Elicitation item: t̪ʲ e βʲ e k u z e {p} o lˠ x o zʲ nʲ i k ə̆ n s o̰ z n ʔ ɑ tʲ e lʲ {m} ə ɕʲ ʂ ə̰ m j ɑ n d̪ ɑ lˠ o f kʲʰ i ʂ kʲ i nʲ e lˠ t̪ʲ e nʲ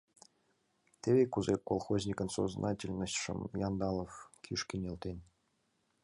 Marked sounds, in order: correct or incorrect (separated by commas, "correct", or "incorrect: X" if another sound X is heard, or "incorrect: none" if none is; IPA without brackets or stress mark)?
incorrect: k, incorrect: n